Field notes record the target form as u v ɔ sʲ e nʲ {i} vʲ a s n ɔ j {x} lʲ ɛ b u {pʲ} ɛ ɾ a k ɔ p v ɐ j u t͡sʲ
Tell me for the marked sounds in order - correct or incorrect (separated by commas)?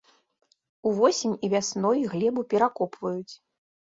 correct, incorrect, correct